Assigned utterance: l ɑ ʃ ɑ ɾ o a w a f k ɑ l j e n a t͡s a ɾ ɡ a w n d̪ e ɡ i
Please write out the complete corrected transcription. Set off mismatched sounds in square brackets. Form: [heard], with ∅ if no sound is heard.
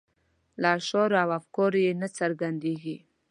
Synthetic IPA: l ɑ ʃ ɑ ɾ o a w a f k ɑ [ɾ] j e n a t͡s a ɾ ɡ a [∅] n d̪ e ɡ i